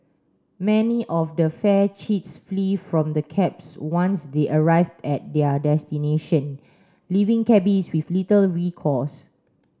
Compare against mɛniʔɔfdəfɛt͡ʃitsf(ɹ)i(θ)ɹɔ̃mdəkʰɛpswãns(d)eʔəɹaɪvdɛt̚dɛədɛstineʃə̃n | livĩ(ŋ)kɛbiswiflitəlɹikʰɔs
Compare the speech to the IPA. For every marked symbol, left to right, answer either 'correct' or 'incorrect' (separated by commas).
incorrect, incorrect, correct, correct